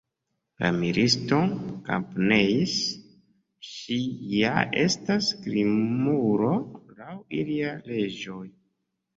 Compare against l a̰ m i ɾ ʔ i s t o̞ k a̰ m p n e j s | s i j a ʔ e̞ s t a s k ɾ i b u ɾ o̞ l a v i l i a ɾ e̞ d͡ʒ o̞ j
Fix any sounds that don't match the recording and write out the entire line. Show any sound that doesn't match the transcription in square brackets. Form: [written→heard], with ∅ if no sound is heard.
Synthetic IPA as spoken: l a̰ m i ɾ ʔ i s t o̞ k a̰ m p n e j s | [s→ʃ] i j a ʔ e̞ s t a s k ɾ i [b→m] u ɾ o̞ l a [v→w] i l i a [ɾ→l] e̞ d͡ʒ o̞ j